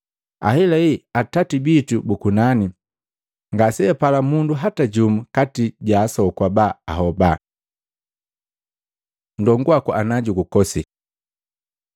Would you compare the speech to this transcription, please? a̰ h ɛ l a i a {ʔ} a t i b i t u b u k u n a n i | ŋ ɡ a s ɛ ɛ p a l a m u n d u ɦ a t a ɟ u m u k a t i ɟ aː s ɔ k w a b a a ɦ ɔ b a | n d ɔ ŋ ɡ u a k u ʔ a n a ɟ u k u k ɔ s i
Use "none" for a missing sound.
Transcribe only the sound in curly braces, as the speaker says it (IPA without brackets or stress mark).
t